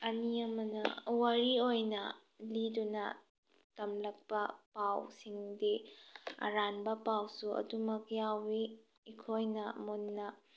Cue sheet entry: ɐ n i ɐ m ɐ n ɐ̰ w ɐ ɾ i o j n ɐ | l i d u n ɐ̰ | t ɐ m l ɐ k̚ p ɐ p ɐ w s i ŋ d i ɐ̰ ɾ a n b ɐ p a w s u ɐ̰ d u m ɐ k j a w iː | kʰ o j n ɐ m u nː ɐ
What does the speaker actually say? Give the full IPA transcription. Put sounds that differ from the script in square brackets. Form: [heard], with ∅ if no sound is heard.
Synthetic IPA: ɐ n i ɐ m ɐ n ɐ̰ w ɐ ɾ i o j n ɐ | l i d u n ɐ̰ | t ɐ m l ɐ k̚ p ɐ p [a] w s i ŋ d i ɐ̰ ɾ a n b ɐ p a w s u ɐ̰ d u m ɐ k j a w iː | kʰ o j n ɐ m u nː ɐ